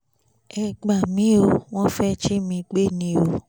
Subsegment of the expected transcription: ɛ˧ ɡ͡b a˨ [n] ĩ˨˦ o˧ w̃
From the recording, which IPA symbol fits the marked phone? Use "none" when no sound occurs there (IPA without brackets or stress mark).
m